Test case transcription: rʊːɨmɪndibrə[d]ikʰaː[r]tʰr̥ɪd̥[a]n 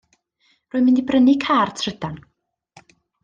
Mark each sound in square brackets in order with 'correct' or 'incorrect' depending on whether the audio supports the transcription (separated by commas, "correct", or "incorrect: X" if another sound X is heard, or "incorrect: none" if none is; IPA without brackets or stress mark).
incorrect: n, correct, correct